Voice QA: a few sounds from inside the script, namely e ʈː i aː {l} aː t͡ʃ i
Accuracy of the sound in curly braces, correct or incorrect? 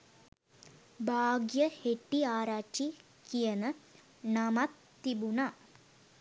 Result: incorrect